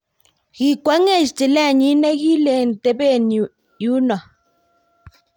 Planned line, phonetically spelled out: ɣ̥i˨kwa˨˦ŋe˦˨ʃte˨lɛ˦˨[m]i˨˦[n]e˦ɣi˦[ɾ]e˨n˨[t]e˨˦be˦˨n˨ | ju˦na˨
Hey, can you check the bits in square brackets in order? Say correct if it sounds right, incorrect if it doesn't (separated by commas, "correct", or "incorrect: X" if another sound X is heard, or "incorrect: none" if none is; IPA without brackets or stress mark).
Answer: incorrect: ɲ, correct, incorrect: l, correct